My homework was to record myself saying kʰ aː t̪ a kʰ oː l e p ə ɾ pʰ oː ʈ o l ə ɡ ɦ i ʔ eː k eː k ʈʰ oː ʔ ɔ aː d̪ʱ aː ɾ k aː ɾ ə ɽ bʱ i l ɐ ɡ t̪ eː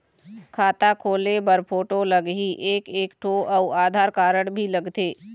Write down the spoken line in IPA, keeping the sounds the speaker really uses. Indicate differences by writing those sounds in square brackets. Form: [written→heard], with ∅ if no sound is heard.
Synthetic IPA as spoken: kʰ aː t̪ a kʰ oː l e [p→b] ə ɾ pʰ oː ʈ o l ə ɡ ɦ i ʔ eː k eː k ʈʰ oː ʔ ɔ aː d̪ʱ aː ɾ k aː ɾ ə ɽ bʱ i l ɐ ɡ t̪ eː